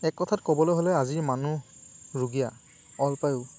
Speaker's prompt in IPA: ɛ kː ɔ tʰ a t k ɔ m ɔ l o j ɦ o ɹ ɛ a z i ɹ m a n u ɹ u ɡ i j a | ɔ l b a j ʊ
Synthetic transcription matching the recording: ɛ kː ɔ tʰ a t k ɔ b ɔ l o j ɦ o l ɛ a z i ɹ m a n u ɹ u ɡ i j a | ɔ l p a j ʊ